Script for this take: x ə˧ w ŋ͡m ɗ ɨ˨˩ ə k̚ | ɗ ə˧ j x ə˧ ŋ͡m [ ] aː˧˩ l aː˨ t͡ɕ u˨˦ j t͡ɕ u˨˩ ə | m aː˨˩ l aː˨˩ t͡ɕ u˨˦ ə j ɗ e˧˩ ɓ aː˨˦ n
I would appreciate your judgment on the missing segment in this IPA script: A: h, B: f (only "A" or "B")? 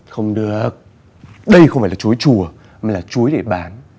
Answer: B